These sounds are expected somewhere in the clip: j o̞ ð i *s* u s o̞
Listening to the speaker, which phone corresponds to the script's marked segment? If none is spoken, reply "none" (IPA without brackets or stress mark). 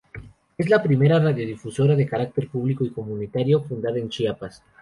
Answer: f